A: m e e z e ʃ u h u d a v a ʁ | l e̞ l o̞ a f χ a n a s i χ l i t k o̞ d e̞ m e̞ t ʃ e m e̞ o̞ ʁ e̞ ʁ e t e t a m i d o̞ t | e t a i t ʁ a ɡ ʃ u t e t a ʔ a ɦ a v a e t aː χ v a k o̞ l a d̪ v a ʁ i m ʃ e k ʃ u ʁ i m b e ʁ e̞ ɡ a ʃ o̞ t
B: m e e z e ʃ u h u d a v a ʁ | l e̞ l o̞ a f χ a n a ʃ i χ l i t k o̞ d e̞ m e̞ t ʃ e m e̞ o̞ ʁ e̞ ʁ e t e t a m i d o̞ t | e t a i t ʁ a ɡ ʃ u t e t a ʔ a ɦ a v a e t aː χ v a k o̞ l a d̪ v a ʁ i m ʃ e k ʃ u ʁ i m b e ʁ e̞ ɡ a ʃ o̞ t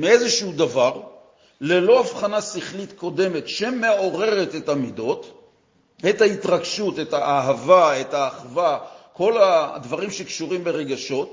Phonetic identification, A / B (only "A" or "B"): A